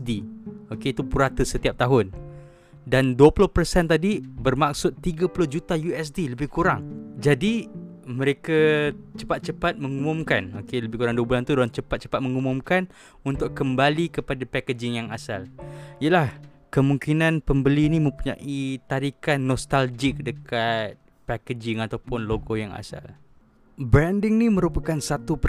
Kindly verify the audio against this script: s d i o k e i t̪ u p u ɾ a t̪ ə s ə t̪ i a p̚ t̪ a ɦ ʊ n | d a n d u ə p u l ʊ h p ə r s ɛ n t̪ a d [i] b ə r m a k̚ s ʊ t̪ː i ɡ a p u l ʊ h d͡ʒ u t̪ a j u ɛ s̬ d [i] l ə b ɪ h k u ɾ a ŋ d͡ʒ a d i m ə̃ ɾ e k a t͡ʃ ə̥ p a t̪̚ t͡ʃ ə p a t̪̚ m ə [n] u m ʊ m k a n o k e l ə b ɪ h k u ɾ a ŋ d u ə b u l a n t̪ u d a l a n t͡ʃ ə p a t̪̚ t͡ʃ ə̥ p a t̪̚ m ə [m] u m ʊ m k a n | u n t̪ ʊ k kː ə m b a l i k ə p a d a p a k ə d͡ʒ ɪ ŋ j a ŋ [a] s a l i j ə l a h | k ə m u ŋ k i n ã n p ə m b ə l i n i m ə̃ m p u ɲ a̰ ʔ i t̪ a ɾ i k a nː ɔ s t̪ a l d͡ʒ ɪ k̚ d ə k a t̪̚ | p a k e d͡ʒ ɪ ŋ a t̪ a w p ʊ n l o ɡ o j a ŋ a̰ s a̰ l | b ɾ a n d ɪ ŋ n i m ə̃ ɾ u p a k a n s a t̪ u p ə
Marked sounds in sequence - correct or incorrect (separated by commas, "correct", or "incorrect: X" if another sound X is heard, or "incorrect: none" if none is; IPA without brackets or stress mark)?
correct, correct, incorrect: ŋ, incorrect: ŋ, correct